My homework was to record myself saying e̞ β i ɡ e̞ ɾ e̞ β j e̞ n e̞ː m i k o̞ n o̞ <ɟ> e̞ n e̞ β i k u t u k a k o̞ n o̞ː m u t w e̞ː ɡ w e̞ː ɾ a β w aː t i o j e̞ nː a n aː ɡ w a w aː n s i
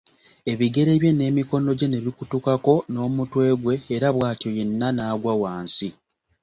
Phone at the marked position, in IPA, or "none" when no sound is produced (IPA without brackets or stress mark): ɟ